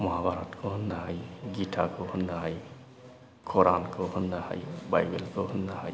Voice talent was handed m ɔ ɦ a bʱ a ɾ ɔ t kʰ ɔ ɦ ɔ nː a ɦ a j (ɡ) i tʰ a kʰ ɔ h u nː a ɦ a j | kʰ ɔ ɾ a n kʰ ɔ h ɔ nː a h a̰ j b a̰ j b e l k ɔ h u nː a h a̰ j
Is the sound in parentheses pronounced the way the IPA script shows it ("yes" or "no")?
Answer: yes